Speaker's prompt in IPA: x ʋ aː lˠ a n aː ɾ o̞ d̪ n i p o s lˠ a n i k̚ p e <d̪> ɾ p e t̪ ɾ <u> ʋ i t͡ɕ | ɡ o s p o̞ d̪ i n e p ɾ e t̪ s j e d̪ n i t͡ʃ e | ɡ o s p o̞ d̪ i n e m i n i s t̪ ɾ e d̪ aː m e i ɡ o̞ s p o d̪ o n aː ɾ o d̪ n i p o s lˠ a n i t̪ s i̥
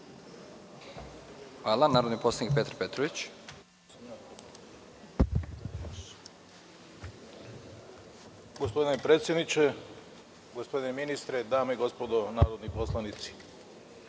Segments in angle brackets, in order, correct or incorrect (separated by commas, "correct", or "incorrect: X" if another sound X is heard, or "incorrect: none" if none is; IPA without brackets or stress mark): incorrect: t̪, incorrect: o